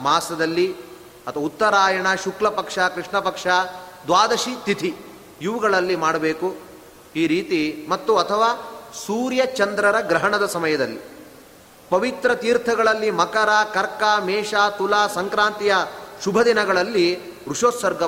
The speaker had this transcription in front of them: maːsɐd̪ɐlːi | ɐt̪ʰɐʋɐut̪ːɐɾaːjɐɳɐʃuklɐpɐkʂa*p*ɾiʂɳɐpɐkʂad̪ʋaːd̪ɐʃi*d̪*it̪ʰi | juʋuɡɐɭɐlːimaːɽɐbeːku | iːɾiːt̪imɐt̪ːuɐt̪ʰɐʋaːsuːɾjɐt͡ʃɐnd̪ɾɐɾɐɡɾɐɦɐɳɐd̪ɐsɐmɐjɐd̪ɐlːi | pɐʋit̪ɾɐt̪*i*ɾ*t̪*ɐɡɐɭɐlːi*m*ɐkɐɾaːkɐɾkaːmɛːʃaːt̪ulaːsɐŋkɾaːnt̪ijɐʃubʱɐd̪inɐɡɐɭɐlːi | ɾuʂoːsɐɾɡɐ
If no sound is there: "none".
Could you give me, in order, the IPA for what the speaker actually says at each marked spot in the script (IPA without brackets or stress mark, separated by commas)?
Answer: k, t̪, iː, t̪ʰ, m